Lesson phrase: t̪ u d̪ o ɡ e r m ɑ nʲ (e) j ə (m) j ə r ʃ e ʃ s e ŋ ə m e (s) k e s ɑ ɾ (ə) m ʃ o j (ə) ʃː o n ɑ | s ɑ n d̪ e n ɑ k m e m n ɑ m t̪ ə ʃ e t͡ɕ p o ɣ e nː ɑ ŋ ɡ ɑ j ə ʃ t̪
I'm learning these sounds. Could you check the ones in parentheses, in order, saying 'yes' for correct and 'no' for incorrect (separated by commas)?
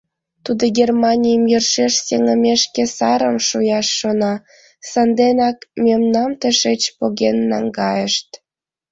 no, yes, no, yes, no